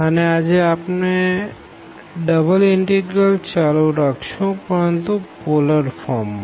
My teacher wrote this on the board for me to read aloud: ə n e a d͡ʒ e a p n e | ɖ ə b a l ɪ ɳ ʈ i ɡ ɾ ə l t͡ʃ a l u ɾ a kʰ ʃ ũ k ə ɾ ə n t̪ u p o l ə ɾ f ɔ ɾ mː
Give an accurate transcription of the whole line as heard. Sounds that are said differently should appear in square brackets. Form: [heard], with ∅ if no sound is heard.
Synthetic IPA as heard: ə n e a d͡ʒ e a p n e | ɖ ə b [ə] l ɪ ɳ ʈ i ɡ ɾ ə l t͡ʃ a l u ɾ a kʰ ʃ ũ [p] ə ɾ ə n t̪ u p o l ə ɾ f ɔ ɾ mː